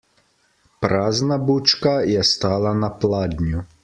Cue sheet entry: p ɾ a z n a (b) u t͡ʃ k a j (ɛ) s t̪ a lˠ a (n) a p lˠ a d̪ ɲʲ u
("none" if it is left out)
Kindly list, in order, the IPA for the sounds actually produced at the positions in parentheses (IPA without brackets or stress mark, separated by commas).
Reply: b, ɛ, n